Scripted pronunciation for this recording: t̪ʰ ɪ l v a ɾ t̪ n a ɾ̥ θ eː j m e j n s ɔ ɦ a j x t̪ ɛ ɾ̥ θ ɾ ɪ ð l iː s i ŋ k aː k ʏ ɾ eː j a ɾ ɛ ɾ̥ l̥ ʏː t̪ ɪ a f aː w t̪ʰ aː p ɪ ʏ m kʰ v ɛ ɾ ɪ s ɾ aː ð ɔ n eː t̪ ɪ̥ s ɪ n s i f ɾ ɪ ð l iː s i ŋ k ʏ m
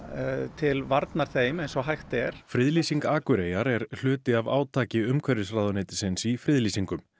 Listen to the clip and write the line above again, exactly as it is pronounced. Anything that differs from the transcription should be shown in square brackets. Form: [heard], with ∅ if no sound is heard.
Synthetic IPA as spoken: t̪ʰ ɪ l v a ɾ t̪ n a ɾ̥ θ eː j m e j n s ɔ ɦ a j x t̪ ɛ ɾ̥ [f] ɾ ɪ ð l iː s i ŋ k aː k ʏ ɾ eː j a ɾ ɛ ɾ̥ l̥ ʏː t̪ ɪ a [v] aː w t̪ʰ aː [c] ɪ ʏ m kʰ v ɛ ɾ ɪ s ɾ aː ð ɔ n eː t̪ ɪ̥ s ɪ n s i f ɾ ɪ ð l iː s i ŋ k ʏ m